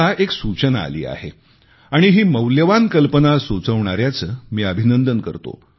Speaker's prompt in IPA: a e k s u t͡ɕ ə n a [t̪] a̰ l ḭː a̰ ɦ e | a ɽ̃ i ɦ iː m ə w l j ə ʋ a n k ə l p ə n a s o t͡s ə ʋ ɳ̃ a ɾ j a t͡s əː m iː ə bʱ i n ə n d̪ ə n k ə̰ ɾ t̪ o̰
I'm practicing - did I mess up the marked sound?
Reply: yes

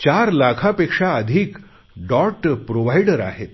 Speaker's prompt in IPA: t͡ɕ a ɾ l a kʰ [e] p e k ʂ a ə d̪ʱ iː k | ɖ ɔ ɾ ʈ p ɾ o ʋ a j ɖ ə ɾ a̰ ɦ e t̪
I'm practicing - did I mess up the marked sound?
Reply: yes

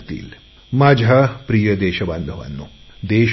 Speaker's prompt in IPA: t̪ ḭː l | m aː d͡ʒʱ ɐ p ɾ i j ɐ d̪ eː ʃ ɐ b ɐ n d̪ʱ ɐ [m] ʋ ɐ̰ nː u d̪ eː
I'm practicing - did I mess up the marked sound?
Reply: yes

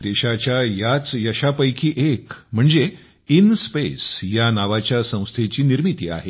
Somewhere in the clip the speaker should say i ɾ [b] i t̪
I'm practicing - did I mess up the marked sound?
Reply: yes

